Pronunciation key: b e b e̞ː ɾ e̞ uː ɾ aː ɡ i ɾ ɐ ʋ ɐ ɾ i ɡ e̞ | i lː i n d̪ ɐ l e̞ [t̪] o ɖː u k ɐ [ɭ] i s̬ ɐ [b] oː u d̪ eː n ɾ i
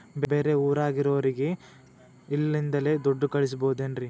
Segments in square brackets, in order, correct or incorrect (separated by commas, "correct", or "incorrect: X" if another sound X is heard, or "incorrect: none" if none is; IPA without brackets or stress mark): incorrect: d̪, correct, correct